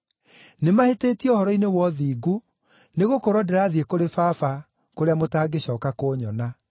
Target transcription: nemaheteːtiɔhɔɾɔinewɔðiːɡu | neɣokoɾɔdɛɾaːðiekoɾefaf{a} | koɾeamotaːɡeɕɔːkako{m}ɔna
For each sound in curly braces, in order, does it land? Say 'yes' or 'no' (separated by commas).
yes, no